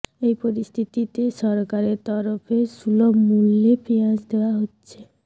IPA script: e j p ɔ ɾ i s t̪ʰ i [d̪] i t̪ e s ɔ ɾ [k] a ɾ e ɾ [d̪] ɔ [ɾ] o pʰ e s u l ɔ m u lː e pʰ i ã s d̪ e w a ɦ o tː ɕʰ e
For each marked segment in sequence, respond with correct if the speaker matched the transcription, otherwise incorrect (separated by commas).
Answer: incorrect, correct, incorrect, correct